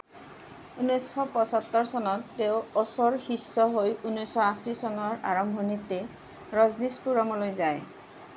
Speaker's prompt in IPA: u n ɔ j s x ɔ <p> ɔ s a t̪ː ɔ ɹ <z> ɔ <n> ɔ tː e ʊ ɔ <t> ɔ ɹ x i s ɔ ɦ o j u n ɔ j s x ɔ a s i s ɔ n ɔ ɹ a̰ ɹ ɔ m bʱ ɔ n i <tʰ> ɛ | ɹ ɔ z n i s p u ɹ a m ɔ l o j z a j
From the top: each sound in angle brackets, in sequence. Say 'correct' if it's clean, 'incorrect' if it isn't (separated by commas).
correct, incorrect, correct, incorrect, incorrect